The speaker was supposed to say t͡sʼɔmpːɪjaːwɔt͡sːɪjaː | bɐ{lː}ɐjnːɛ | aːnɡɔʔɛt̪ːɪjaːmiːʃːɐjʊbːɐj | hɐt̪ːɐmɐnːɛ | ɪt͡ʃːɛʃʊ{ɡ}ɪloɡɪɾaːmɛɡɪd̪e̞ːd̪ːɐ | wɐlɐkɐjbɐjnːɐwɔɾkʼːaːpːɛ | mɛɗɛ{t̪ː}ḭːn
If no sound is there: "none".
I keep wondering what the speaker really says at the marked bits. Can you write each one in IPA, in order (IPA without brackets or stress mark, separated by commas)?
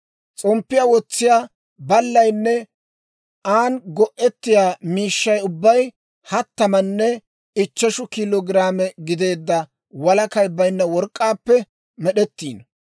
lː, k, t̪ː